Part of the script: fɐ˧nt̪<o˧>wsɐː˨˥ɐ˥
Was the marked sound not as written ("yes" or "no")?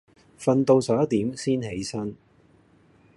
no